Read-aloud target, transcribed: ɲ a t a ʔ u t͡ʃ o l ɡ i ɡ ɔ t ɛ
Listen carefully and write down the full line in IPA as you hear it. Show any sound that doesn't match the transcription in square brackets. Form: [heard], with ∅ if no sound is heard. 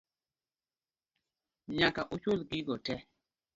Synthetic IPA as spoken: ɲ a [k] a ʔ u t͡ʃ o l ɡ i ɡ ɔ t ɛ